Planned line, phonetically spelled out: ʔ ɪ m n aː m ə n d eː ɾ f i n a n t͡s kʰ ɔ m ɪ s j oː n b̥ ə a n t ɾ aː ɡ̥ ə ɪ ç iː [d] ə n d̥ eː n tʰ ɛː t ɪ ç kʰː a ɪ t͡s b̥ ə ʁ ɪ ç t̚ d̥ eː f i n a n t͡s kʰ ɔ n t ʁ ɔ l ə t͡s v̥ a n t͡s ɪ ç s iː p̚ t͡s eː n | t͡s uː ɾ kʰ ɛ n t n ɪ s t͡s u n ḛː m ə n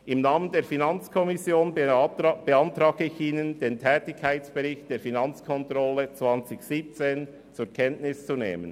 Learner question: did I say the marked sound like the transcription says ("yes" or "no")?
no